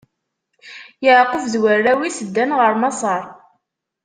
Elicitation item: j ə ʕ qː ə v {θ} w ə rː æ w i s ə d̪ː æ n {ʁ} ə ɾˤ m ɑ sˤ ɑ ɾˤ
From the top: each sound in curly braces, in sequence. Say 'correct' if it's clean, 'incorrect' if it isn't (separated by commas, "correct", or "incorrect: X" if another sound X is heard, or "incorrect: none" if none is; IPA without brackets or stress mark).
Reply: incorrect: ð, correct